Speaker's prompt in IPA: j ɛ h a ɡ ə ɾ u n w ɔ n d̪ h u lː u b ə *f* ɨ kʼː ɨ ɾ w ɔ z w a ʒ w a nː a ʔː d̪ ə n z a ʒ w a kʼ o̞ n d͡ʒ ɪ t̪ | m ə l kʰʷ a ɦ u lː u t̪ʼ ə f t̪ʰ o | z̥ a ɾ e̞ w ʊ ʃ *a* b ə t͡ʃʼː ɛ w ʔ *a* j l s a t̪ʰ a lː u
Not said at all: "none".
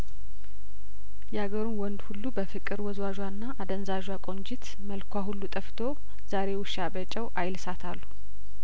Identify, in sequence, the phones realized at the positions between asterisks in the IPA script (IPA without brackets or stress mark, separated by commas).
f, a, a